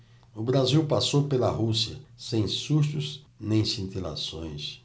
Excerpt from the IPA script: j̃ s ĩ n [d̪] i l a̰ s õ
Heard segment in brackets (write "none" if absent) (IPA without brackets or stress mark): t̪